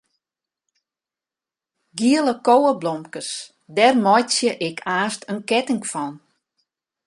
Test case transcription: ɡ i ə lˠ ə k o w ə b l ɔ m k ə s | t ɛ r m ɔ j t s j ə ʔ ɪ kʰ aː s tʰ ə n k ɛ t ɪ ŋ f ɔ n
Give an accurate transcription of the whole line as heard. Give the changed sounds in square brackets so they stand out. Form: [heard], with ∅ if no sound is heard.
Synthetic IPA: ɡ i ə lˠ ə k o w ə b l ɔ m k ə s | [d] ɛ r m ɔ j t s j ə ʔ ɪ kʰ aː s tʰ ə n k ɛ t ɪ ŋ f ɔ n